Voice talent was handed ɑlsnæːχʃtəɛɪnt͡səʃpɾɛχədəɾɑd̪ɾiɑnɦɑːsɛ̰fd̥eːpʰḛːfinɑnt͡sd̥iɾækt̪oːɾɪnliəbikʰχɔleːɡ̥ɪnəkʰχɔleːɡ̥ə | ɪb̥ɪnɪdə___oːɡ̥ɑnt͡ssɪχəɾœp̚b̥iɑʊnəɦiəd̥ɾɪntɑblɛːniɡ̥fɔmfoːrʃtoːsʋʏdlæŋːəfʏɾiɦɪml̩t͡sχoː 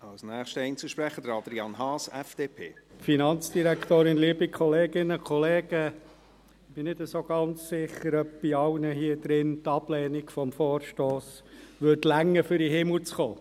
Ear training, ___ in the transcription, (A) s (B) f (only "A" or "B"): A